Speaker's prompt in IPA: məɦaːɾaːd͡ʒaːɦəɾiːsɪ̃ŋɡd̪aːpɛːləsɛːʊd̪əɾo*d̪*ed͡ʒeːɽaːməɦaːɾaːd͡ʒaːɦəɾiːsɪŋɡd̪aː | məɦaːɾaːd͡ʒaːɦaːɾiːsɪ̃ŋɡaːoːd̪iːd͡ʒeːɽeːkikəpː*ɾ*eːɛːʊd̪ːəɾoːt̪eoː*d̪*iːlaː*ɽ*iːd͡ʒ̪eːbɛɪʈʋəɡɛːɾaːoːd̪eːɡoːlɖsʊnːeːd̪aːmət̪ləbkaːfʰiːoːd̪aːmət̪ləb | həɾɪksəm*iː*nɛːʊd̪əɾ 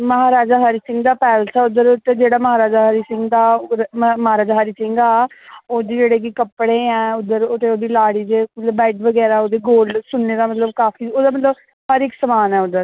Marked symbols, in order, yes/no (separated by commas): no, no, yes, yes, no